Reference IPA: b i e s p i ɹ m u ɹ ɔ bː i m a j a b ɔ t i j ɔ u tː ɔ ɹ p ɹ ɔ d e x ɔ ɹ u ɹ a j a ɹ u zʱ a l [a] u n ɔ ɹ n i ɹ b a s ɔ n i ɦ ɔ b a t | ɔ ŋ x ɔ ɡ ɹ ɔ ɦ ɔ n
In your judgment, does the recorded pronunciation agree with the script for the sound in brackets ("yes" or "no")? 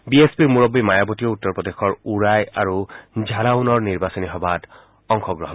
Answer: yes